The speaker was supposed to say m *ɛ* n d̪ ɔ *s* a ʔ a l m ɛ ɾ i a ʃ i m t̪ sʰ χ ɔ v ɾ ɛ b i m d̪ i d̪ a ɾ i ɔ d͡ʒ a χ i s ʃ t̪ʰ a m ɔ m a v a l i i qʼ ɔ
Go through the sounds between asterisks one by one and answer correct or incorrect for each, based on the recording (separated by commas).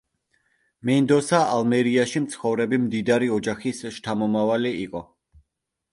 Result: correct, correct